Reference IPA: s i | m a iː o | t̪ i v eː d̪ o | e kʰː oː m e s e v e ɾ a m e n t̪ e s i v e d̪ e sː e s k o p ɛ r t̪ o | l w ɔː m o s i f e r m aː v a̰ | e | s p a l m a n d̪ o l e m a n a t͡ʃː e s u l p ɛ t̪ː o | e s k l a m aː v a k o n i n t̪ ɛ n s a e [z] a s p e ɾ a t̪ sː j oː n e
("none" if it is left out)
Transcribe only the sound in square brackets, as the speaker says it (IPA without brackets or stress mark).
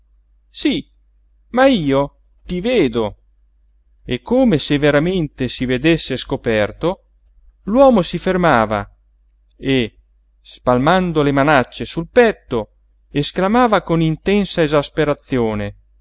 z